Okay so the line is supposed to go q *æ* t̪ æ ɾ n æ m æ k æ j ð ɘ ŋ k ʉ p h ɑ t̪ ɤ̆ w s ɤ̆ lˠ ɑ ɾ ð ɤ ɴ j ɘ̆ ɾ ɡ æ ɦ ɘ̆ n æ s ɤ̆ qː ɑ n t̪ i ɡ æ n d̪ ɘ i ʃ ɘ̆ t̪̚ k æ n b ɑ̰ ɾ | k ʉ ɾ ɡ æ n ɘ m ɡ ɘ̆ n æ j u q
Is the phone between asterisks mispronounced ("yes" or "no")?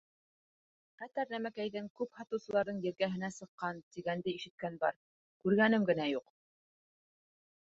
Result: no